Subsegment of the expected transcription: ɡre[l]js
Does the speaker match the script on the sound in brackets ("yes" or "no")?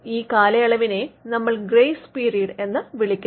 no